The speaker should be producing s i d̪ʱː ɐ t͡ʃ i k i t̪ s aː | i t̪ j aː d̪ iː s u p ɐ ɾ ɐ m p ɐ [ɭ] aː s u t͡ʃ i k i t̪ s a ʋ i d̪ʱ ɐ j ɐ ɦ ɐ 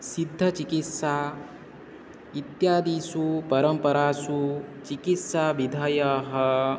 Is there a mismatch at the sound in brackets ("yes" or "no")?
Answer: yes